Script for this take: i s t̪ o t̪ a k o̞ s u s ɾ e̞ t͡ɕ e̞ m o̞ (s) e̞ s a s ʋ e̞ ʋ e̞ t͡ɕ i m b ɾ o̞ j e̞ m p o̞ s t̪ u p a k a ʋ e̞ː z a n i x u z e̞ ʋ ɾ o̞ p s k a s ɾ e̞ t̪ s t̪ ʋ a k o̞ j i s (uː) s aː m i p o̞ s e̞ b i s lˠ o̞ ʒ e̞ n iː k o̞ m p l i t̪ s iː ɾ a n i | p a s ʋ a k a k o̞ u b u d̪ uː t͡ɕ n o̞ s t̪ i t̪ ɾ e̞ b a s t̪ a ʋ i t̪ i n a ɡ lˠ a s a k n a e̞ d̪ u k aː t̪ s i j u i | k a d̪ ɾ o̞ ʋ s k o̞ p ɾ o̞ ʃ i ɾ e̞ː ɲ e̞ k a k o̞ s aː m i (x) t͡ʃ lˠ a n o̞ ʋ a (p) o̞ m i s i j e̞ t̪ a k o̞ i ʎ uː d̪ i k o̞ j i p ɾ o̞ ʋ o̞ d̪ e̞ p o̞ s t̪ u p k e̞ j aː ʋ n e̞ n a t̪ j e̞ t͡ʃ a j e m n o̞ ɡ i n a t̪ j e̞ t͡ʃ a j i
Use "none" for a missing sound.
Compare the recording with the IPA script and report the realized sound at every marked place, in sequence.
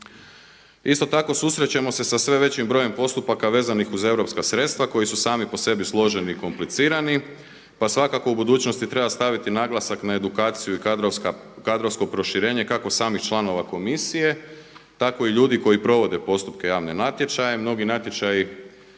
s, u, x, k

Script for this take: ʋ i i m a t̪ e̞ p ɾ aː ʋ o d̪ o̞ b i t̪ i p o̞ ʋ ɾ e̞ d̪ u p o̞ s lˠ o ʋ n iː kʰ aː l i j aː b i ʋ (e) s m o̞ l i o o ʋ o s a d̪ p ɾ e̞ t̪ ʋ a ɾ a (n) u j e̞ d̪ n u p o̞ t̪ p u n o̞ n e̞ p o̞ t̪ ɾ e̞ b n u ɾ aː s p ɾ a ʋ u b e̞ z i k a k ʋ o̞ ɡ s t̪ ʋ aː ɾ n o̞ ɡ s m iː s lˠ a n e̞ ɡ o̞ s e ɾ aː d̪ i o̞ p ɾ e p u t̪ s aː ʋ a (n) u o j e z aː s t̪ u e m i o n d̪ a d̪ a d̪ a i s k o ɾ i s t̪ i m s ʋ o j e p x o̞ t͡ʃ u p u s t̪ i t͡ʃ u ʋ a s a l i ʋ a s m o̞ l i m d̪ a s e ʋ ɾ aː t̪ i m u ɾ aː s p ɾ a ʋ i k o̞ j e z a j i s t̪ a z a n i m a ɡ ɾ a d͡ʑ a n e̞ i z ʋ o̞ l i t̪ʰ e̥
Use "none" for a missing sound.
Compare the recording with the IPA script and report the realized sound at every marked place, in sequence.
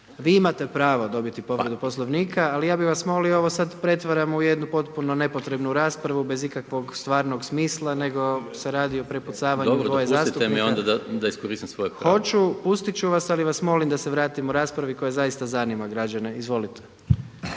a, m, ɲ

